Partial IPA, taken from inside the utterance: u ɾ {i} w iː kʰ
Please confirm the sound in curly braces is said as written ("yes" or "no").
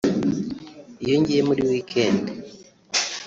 yes